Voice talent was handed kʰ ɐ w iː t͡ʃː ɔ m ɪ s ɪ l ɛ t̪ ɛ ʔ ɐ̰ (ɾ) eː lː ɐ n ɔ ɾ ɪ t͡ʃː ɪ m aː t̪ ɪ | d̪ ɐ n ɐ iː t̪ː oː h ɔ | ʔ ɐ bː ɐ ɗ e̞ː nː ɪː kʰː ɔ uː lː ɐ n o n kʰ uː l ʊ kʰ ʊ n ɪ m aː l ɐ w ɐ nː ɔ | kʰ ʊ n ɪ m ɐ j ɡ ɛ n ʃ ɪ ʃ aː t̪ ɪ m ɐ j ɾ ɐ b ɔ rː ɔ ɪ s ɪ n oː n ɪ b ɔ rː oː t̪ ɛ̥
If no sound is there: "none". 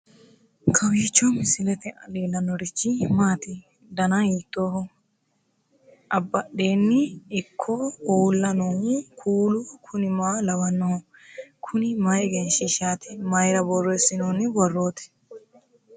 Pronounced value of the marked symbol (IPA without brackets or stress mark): l